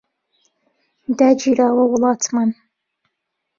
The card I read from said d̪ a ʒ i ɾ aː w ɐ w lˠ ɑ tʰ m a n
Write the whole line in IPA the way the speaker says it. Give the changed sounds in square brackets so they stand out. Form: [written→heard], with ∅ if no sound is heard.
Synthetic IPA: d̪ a [ʒ→d͡ʒ] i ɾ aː w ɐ w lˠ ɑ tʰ m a n